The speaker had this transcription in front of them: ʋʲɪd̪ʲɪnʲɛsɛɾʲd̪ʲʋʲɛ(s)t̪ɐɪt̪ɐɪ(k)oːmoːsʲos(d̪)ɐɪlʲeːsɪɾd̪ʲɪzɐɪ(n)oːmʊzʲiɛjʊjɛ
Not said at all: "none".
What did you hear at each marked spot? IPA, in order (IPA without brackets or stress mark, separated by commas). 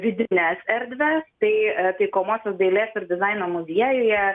s, k, d̪, n